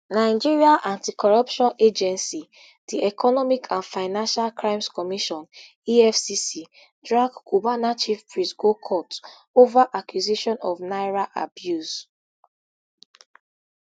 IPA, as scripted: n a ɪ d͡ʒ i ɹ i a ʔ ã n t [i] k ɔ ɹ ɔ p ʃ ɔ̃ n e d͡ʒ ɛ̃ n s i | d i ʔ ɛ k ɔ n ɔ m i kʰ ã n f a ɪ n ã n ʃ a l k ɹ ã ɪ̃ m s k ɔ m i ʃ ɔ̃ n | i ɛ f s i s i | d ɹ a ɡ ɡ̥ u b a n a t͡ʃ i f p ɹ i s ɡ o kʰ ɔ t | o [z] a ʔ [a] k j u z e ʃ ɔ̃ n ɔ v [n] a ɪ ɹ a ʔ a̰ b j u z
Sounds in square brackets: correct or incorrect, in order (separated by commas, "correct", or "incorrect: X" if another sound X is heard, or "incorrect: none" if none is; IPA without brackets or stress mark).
correct, incorrect: v, correct, correct